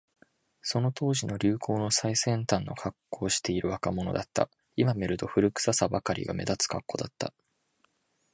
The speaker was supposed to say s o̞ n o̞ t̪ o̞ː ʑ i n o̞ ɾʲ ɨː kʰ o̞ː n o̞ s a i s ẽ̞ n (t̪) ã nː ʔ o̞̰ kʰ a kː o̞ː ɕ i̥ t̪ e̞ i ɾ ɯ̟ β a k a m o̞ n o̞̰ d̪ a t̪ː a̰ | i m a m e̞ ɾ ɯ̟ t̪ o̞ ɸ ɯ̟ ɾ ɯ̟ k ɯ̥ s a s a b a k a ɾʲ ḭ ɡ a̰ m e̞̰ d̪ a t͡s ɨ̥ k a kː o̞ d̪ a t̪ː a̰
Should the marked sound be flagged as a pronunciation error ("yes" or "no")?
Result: no